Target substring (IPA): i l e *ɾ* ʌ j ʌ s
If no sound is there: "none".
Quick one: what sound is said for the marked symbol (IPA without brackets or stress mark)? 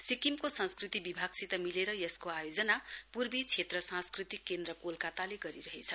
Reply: ɾ